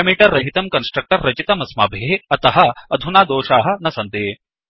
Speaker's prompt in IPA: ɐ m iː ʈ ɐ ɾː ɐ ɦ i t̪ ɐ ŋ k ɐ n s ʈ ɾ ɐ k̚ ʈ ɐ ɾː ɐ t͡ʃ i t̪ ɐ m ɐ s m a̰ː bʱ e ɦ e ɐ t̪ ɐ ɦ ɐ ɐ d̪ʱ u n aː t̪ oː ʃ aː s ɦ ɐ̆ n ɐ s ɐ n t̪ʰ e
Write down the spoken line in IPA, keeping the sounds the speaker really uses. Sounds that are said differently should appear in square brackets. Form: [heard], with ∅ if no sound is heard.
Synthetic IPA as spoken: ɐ m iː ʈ ɐ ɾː ɐ ɦ i t̪ ɐ [m] k ɐ n s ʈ ɾ ɐ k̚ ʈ ɐ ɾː ɐ t͡ʃ i t̪ ɐ m ɐ s m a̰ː bʱ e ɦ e ɐ t̪ ɐ ɦ ɐ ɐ d̪ʱ u n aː [d̪] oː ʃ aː [∅] ɦ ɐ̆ n ɐ s ɐ n [t̪] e

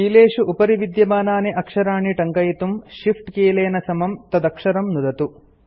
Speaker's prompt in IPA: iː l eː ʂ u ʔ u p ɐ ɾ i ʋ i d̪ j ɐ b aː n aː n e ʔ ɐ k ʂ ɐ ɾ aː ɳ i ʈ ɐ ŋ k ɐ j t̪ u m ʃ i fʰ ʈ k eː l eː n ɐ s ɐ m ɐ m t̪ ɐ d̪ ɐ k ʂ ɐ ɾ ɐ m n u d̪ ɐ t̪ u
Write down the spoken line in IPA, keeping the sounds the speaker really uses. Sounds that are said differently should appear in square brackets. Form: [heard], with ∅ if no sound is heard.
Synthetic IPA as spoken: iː l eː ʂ u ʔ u p ɐ ɾ i ʋ i d̪ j ɐ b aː n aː n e ʔ ɐ k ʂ ɐ ɾ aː ɳ i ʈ ɐ ŋ k ɐ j t̪ u m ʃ i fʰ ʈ k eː l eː n ɐ s ɐ m ɐ m t̪ ɐ d̪ ɐ k ʂ ɐ ɾ ɐ m n u d̪ ɐ t̪ u

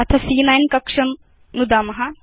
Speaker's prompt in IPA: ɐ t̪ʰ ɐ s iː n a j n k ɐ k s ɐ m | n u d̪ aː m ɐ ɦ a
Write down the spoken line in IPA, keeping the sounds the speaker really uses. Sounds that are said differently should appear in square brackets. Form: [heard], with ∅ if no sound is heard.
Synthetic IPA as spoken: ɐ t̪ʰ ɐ s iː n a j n k ɐ k [ʂ] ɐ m | n u d̪ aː m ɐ ɦ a

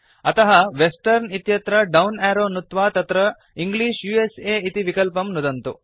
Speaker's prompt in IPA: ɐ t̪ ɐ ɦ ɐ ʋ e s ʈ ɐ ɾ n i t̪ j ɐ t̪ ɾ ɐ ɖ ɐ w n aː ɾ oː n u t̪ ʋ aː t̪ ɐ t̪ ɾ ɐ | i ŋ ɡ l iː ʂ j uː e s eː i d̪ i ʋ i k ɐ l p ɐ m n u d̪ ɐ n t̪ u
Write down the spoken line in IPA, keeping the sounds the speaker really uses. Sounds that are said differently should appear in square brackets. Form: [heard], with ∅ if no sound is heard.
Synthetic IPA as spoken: ɐ t̪ ɐ ɦ ɐ ʋ e s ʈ ɐ ɾ n i t̪ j ɐ t̪ ɾ ɐ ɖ ɐ w n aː ɾ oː n u t̪ ʋ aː t̪ ɐ t̪ ɾ ɐ | i ŋ ɡ l iː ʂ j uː e s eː i [t̪] i ʋ i k ɐ l p ɐ m n u d̪ ɐ n t̪ u

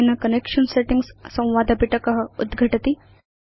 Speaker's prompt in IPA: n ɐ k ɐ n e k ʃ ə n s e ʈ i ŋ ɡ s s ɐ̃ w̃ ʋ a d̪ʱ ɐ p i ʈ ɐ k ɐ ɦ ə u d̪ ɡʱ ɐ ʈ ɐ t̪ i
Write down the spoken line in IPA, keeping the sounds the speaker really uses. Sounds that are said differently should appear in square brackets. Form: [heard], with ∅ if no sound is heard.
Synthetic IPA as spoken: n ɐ k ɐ n e k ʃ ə n s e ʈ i ŋ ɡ s s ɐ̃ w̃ ʋ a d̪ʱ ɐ p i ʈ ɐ k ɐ ɦ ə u d̪ ɡʱ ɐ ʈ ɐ t̪ i

